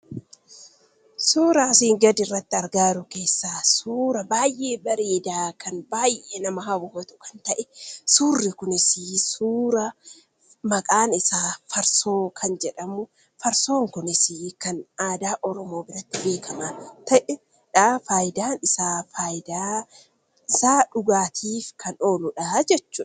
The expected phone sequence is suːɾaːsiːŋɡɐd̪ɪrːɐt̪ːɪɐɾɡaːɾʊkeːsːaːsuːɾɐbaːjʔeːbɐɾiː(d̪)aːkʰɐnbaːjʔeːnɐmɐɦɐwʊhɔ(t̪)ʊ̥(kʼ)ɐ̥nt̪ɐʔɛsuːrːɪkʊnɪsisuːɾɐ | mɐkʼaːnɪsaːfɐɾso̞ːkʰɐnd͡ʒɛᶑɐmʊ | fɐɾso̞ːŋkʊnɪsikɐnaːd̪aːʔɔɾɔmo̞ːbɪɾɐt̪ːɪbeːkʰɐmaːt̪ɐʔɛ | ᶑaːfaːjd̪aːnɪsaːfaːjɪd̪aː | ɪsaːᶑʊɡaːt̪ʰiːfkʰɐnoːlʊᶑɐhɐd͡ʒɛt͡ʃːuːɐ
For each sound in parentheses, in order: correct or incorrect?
correct, correct, incorrect

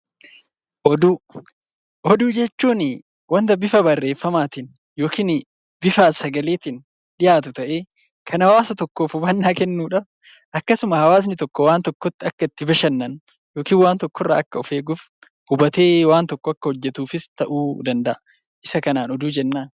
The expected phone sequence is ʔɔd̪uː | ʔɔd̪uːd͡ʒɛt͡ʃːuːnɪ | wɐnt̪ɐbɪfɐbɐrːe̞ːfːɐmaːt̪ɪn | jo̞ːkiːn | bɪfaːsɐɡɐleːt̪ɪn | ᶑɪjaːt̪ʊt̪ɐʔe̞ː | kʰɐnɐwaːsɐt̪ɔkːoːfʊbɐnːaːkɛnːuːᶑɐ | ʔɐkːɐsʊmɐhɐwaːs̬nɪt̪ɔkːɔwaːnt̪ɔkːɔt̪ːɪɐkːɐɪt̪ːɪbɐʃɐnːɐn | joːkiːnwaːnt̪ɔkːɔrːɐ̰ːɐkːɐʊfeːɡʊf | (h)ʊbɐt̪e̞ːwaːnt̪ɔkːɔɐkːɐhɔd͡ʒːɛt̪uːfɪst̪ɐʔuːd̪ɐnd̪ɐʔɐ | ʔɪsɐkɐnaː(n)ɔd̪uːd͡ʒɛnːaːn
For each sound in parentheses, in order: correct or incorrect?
correct, correct

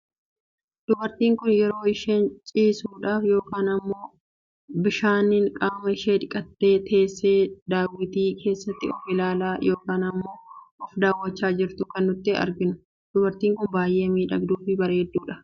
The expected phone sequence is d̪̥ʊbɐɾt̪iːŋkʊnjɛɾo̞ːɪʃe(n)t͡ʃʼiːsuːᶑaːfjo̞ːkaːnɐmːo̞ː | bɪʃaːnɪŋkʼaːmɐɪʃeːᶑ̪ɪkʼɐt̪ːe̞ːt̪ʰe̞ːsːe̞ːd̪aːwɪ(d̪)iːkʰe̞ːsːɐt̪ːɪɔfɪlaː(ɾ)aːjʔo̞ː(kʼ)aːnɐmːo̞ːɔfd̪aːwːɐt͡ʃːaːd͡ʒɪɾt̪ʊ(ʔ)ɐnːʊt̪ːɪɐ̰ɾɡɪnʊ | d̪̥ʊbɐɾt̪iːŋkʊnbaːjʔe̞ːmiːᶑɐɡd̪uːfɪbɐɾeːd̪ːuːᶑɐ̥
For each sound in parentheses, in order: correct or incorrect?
correct, incorrect, incorrect, incorrect, incorrect

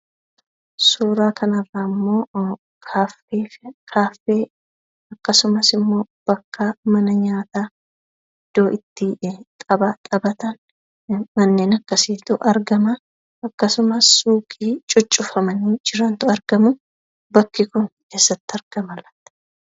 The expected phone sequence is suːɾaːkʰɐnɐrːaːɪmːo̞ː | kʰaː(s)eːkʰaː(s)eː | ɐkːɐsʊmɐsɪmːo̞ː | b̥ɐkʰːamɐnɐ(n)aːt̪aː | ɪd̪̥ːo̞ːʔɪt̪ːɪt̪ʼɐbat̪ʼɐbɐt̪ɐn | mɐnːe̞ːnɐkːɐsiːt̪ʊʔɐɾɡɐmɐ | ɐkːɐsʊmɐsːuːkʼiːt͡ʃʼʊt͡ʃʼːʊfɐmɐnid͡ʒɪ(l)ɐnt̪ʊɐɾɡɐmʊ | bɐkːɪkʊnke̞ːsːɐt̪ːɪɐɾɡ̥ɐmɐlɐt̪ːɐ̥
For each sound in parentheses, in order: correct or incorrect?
incorrect, incorrect, incorrect, incorrect

